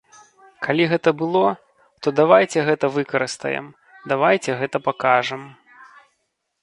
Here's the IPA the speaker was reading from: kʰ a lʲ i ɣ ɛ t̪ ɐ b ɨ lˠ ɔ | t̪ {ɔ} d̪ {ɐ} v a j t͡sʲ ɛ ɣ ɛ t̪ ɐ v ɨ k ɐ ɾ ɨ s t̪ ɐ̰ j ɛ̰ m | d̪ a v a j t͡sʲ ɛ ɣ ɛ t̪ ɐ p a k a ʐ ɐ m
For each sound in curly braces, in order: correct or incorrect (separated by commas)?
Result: correct, incorrect